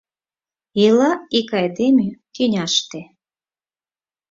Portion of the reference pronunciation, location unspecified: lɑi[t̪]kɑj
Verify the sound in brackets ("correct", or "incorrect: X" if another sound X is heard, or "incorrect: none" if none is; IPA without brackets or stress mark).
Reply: incorrect: none